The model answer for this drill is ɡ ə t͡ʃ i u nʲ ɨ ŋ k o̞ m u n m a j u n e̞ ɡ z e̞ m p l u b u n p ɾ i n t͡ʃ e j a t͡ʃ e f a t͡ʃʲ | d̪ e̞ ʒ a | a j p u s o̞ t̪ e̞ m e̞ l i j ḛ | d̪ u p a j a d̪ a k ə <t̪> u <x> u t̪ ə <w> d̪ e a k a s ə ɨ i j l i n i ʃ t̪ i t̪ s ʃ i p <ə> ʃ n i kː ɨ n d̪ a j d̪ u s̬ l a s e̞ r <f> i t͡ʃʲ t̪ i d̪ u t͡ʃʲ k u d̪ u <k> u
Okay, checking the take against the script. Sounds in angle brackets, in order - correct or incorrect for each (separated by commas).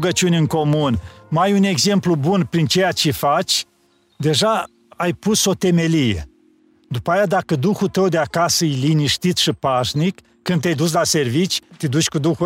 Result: incorrect, correct, correct, incorrect, incorrect, incorrect